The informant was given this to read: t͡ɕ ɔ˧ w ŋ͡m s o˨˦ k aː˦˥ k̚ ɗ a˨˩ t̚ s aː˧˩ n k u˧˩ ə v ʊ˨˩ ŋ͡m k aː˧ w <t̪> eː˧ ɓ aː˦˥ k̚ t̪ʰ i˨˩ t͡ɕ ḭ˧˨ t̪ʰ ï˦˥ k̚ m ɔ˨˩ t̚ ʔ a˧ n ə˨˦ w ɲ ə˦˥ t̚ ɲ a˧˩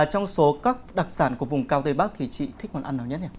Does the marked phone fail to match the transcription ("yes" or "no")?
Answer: no